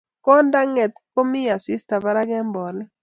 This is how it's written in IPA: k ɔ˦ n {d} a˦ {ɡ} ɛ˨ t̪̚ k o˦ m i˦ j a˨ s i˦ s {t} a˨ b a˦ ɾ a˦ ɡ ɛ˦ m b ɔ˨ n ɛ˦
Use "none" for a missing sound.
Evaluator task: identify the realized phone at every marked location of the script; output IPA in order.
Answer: d, ŋ, t

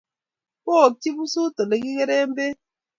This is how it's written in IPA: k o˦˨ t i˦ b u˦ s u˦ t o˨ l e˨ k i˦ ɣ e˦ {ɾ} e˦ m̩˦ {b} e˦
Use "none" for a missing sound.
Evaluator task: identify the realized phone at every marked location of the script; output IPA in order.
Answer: ɾ, b

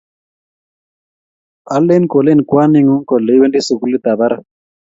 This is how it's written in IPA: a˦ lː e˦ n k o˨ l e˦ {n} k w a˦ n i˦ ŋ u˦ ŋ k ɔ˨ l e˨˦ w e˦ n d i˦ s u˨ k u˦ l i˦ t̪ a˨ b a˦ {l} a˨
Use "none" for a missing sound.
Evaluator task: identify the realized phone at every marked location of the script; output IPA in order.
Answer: n, ɾ

